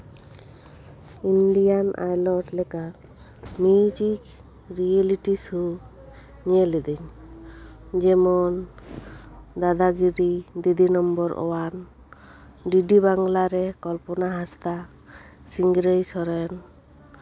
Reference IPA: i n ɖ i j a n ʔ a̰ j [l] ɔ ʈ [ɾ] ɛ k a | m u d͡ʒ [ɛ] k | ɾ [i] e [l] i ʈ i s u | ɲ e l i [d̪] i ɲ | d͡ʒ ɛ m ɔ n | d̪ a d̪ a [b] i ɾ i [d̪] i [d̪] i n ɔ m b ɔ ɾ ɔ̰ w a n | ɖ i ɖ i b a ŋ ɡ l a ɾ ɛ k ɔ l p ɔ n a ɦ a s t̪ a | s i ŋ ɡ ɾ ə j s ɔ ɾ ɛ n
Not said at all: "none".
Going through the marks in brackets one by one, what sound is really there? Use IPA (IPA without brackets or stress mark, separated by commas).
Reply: l, l, i, i, l, d̪, ɡ, d̪, d̪